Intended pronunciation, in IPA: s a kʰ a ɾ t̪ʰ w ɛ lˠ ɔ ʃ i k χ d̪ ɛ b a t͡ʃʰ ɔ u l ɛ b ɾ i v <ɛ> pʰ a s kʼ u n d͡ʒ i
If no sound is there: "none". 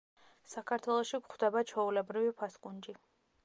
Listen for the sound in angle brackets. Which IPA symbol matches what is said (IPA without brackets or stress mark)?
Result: i